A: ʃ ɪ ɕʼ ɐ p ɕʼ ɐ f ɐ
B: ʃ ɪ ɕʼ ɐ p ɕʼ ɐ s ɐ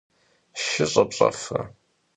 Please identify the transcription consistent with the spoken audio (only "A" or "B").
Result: A